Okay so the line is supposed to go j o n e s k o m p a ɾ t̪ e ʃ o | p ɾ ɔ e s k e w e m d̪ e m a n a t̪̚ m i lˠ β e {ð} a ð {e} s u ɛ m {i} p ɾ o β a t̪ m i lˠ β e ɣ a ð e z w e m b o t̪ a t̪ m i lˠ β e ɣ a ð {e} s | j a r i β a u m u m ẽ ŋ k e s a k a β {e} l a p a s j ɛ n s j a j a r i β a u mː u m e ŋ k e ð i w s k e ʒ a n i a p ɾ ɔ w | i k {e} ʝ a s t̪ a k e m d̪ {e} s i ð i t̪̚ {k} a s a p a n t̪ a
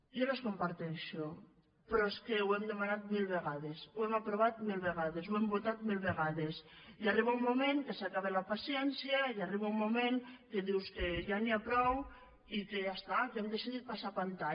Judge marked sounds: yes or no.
no, yes, no, yes, yes, yes, yes, no

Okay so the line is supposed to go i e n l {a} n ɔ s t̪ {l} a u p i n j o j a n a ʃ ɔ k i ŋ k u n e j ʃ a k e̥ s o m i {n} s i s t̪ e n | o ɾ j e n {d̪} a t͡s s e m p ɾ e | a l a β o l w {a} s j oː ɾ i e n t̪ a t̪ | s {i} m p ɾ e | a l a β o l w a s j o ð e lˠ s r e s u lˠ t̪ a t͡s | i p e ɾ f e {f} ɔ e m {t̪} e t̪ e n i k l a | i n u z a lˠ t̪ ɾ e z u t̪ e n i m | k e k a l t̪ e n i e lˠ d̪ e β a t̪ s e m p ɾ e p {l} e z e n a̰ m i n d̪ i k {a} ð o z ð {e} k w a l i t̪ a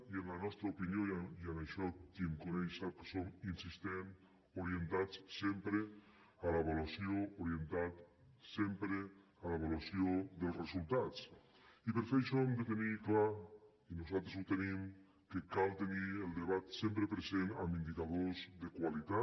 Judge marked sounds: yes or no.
yes, no, yes, no, yes, no, no, no, no, yes, yes

